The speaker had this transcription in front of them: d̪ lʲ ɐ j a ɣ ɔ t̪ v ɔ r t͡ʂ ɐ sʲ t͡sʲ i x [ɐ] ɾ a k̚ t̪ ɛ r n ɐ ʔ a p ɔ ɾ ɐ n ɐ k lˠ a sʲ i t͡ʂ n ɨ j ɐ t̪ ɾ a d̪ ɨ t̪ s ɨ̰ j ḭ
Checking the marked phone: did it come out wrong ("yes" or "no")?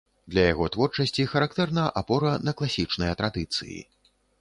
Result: no